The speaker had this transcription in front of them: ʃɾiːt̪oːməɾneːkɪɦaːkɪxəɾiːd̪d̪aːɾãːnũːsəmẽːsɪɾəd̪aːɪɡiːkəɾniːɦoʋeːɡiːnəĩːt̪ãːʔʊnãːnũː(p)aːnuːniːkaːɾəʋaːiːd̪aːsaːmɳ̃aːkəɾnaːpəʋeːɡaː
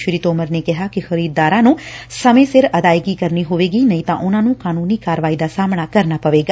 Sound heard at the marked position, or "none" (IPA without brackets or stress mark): k